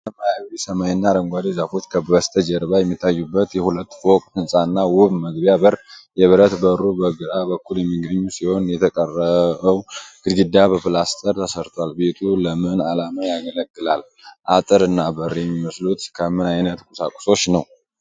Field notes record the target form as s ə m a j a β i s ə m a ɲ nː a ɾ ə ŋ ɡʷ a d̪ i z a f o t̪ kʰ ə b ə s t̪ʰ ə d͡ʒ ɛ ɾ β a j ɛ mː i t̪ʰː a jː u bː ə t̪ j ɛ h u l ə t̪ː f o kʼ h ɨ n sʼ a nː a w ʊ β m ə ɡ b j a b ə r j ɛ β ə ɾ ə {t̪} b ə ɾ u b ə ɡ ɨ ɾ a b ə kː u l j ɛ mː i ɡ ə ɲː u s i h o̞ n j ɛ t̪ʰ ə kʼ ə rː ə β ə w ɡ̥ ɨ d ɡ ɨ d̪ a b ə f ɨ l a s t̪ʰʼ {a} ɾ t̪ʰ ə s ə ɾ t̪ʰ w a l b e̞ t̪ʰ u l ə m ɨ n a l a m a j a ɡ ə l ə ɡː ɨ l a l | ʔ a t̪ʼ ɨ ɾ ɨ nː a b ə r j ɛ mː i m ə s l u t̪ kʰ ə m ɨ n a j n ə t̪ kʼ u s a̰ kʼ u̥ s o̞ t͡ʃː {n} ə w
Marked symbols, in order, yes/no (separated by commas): yes, no, yes